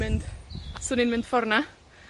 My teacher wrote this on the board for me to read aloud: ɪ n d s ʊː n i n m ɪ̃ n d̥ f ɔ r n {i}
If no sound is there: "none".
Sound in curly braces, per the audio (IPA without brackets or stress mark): a